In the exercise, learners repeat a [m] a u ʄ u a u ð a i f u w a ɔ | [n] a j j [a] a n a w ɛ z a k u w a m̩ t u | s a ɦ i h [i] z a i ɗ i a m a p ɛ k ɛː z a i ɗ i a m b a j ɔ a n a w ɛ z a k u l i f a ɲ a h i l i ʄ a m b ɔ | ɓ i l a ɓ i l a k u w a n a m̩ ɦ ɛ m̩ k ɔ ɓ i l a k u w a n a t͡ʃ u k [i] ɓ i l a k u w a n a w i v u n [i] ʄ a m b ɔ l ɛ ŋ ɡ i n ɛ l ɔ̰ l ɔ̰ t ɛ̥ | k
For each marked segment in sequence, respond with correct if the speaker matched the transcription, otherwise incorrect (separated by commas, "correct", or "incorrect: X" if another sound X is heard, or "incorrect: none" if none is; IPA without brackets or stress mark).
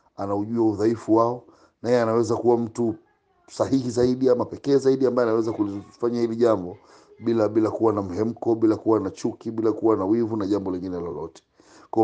incorrect: n, correct, incorrect: ɛ, correct, correct, incorrect: a